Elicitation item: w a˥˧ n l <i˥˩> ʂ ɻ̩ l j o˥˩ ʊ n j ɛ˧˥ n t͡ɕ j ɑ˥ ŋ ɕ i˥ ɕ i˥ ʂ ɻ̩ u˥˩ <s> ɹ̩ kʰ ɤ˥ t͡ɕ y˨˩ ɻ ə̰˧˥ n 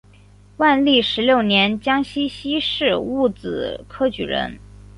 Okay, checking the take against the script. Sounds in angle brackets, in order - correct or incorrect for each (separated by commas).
correct, incorrect